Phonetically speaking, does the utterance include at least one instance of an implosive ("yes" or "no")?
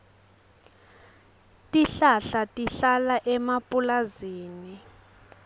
no